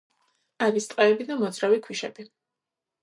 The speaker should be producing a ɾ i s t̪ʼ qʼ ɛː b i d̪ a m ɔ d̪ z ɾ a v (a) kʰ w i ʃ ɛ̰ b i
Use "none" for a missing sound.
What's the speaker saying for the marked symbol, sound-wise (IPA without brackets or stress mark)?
i